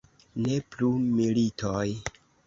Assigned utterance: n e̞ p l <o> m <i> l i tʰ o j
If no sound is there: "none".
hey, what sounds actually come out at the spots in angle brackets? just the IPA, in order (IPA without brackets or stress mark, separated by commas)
u, i